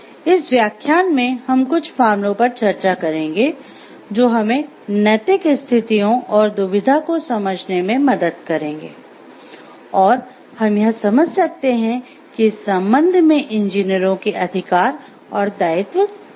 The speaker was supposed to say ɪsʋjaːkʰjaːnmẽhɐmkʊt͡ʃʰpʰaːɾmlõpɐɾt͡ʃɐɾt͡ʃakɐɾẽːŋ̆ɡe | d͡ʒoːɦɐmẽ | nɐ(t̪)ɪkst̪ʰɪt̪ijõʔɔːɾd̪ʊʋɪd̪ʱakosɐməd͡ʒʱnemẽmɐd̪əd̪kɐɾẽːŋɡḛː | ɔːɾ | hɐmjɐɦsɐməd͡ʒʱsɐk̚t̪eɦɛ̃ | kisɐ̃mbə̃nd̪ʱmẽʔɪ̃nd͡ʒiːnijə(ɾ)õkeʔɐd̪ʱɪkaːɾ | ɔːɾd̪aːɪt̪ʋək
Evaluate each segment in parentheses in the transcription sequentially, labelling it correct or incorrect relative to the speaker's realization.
correct, correct

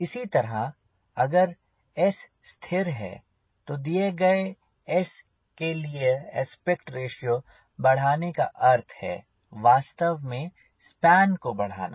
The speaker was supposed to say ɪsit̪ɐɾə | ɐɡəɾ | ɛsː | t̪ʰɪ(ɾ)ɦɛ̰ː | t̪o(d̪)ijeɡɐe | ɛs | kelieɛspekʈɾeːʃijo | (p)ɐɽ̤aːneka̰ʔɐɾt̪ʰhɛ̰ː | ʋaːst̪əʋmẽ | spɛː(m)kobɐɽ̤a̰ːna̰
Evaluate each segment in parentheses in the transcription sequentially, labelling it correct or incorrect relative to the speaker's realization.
correct, correct, incorrect: b, incorrect: n

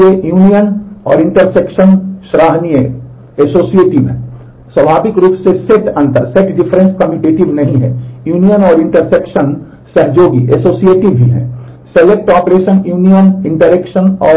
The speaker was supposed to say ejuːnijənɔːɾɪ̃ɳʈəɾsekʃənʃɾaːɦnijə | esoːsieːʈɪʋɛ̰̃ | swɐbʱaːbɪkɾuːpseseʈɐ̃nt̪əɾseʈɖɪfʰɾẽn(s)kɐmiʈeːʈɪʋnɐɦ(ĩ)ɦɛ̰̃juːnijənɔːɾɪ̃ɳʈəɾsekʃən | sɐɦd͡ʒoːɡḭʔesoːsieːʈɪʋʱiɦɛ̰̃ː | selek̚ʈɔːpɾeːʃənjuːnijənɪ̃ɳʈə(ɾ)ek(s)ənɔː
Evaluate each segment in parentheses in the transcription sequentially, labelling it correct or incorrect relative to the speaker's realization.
correct, correct, correct, incorrect: ʃ

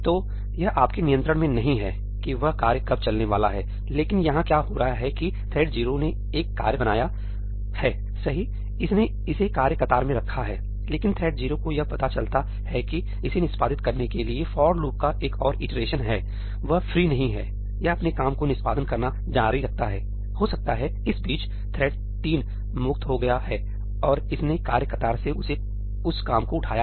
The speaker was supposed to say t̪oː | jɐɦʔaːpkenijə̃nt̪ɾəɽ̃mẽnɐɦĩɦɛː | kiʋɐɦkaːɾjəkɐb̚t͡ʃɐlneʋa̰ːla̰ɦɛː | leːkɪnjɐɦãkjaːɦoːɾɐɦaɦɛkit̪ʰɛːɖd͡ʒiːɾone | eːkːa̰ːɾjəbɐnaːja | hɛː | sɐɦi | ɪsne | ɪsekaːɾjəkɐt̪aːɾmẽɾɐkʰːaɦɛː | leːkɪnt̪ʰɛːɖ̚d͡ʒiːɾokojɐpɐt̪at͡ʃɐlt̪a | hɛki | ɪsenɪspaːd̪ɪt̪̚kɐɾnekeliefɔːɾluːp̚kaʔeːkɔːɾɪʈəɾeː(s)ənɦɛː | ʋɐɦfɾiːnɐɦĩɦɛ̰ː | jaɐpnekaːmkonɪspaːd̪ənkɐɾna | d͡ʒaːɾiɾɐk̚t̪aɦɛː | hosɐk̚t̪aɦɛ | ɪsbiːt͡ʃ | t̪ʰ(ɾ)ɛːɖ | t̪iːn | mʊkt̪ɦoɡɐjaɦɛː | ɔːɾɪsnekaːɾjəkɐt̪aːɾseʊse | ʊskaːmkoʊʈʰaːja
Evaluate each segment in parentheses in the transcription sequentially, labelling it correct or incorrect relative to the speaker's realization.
incorrect: ʃ, correct

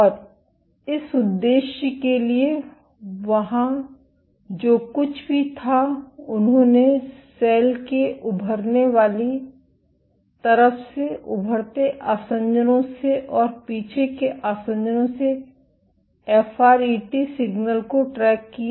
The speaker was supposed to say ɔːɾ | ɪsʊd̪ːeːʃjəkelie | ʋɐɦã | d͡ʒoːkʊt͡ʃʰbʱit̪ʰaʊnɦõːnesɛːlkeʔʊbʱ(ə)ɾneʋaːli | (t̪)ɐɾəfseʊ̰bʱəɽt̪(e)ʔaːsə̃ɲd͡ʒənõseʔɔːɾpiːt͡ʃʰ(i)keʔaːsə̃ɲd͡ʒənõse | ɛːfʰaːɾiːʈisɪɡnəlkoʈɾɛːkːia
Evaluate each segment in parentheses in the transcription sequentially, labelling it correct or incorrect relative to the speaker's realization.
correct, correct, correct, incorrect: e

